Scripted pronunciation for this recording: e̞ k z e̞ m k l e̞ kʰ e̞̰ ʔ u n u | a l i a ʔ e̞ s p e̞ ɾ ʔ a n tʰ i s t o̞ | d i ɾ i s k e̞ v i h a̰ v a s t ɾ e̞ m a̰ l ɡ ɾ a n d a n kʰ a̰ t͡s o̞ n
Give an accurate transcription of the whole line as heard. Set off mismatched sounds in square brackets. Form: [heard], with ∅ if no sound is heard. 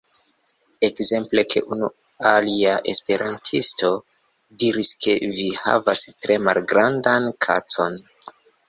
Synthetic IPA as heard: e̞ k z e̞ m [p] l e̞ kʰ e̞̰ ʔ u n u | a l i a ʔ e̞ s p e̞ ɾ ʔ a n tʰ i s t o̞ | d i ɾ i s k e̞ v i h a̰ v a s t ɾ e̞ m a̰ l ɡ ɾ a n d a n kʰ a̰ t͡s o̞ n